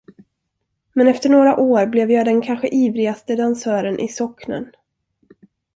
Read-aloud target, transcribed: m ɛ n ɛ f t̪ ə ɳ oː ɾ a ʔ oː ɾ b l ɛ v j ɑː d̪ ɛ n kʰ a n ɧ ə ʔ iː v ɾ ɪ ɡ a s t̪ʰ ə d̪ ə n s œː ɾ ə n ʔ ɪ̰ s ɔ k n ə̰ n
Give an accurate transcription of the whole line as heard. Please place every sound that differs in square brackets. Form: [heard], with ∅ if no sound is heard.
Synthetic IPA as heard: m ɛ n ɛ f t̪ ə ɳ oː ɾ a ʔ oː ɾ b l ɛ v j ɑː d̪ ɛ n kʰ a n ɧ ə ʔ iː v ɾ ɪ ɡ a s [t̪] ə d̪ [a] n s œː ɾ ə n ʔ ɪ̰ s ɔ k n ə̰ n